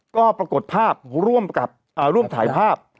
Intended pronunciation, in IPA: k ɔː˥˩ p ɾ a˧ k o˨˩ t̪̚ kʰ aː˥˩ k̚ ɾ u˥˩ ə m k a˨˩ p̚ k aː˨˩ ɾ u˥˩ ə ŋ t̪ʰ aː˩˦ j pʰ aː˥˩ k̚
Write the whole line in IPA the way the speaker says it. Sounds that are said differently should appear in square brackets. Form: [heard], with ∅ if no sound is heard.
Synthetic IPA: k ɔː˥˩ p ɾ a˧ k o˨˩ t̪̚ [pʰ] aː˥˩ [p̚] ɾ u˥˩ ə m k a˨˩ p̚ [ʔ] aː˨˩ ɾ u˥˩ ə [m] t̪ʰ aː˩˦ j pʰ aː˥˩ [p̚]